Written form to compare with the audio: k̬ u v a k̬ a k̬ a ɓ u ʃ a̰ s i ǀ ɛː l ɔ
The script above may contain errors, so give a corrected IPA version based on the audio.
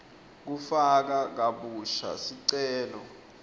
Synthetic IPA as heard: k̬ u f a k̬ a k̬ a ɓ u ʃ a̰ s i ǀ ɛː l ɔ